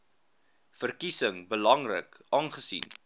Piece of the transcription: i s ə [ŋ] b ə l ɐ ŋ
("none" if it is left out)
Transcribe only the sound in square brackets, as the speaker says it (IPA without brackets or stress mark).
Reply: ŋ